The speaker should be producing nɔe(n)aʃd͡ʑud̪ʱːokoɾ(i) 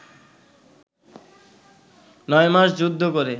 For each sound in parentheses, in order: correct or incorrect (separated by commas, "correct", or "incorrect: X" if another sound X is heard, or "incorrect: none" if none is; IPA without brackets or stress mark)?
incorrect: m, incorrect: e